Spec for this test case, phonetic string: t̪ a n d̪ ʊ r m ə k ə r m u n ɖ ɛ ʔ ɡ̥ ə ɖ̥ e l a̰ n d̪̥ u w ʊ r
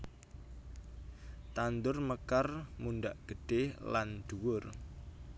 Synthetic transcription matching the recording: t̪ a n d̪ ʊ r m ə k a r m u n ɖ a ʔ ɡ̥ ə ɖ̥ e l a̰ n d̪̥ u w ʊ r